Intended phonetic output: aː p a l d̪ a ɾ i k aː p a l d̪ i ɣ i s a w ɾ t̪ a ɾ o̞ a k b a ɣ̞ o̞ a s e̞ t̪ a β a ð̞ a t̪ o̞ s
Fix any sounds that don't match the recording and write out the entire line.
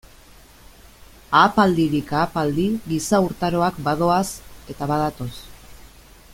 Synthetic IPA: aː p a l d̪ i ɾ i k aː p a l d̪ i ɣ i s a u ɾ t̪ a ɾ o̞ a k b a ð̞ o̞ a s e̞ t̪ a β a ð̞ a t̪ o̞ s